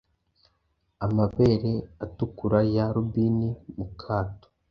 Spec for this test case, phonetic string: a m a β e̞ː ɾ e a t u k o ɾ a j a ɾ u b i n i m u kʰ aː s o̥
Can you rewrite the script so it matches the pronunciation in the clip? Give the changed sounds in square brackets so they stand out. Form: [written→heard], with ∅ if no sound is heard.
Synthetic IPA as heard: a m a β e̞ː ɾ e a t u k [o→u] ɾ a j a ɾ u b i n i m u kʰ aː [s→t] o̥